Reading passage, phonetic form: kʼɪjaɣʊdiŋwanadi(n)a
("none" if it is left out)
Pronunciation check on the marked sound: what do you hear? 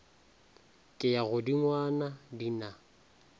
n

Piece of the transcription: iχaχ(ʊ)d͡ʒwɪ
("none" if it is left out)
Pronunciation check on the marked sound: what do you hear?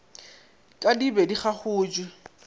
ʊː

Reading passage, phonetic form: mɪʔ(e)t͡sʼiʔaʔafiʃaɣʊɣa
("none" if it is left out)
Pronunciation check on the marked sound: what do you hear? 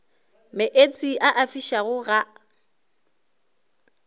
e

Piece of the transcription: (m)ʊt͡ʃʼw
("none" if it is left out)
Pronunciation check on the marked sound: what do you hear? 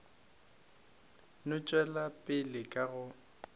n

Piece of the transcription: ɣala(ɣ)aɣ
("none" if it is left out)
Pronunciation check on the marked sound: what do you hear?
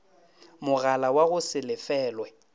w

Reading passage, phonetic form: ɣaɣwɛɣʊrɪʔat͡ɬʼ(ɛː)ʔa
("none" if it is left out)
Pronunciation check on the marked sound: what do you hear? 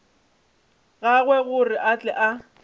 ɛ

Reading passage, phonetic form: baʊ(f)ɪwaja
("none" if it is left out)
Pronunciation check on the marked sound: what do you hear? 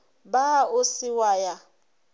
s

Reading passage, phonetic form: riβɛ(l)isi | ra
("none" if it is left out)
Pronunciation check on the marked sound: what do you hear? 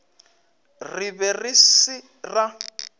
r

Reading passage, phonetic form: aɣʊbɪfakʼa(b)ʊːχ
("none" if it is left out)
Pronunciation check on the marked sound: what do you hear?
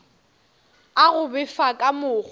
m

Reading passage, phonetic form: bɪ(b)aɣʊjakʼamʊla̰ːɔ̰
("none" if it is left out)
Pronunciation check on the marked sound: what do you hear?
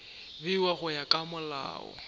w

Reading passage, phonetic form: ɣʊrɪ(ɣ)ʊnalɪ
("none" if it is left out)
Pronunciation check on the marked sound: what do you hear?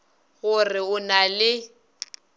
none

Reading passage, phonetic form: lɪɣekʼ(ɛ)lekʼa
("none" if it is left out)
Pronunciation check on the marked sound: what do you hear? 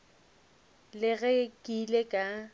i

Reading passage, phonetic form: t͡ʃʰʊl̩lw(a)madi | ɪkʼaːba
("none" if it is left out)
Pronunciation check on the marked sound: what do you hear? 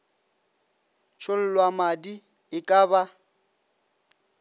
a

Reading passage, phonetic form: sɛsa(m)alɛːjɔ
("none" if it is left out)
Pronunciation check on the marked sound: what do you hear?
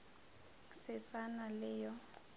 n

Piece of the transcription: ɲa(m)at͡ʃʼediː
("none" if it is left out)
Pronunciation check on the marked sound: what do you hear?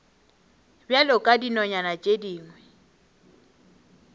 n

